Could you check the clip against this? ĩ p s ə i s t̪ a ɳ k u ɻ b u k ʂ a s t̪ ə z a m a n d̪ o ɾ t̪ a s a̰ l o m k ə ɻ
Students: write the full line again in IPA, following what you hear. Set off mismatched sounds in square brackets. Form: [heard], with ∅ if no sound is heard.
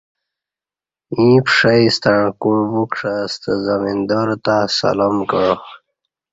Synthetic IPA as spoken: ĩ p [ʂ] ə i s t̪ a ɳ k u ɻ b u k ʂ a s t̪ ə z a m [i] n d̪ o ɾ t̪ a s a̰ l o m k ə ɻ

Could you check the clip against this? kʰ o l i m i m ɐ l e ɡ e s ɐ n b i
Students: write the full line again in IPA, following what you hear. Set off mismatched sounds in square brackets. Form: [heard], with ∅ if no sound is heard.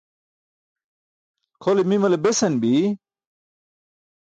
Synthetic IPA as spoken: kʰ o l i m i m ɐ l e [b] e s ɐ n b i

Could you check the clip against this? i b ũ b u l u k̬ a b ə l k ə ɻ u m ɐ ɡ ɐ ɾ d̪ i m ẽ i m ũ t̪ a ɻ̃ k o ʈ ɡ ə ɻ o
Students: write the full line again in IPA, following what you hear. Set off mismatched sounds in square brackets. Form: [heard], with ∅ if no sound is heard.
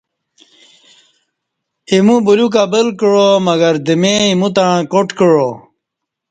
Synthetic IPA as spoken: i [m] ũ b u l u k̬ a b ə l k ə ɻ [o] m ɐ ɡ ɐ ɾ d̪ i m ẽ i m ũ t̪ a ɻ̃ k o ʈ [k] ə ɻ o

